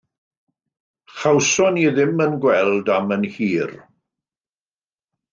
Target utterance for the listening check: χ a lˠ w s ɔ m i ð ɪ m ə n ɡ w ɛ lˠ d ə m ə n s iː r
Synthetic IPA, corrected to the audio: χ a w s ɔ n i ð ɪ m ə n ɡ w ɛ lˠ d a m ə n h iː r